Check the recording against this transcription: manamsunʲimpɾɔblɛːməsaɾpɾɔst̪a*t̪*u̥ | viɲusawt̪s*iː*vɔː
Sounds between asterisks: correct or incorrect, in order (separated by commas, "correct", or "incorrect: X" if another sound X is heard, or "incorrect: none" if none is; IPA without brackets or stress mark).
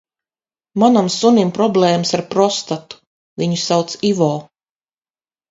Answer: correct, incorrect: i